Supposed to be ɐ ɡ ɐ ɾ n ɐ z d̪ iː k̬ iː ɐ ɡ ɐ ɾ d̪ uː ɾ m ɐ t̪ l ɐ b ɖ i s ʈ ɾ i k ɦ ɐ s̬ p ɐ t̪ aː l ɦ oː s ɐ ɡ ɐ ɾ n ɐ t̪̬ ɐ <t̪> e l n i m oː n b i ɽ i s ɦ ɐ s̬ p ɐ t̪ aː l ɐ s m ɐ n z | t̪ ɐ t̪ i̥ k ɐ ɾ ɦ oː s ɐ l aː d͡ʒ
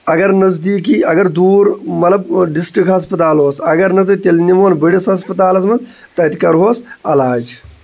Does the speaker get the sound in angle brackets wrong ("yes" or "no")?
no